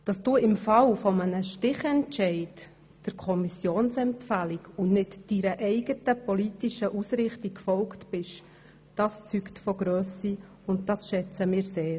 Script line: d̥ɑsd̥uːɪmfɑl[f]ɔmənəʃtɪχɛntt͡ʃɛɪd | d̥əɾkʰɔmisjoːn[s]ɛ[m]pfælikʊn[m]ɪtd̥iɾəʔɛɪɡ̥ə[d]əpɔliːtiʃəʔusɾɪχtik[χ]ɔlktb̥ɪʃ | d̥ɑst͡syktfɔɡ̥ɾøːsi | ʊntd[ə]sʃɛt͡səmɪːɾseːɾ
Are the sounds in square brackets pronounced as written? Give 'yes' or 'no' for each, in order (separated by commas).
yes, yes, yes, no, no, no, no